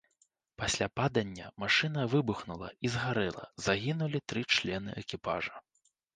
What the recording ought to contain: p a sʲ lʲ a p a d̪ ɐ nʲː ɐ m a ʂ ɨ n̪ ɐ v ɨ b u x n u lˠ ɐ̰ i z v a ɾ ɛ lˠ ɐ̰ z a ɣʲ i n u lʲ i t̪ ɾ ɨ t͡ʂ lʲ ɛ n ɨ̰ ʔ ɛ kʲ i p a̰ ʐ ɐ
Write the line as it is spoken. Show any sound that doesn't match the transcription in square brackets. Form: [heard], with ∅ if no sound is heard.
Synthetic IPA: p a sʲ lʲ a p a d̪ ɐ nʲː ɐ m a ʂ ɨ n̪ ɐ v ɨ b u x n u lˠ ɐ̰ i z [ɣ] a ɾ ɛ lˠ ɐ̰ z a ɣʲ i n u lʲ i t̪ ɾ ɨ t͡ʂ lʲ ɛ n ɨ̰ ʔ ɛ kʲ i p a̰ ʐ ɐ